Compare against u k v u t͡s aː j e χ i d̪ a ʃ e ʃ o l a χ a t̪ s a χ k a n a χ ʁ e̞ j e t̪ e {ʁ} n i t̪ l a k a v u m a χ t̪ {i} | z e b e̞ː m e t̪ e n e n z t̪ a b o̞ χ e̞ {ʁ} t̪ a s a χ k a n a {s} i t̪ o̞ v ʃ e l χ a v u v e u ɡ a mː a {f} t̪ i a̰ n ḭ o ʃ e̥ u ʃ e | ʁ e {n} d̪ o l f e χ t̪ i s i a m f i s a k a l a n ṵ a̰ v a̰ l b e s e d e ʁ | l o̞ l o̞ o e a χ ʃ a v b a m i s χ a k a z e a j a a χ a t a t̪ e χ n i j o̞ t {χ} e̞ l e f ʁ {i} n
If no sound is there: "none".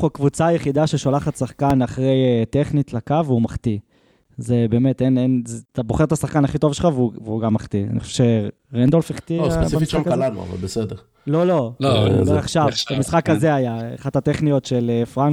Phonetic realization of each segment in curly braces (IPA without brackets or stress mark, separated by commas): χ, i, ʁ, χ, χ, n, ʃ, a